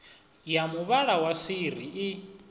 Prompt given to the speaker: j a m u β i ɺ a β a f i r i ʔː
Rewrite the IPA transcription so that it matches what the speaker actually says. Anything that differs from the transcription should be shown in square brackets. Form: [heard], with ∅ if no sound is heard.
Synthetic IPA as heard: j a m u β [a] ɺ a [w] a [s] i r i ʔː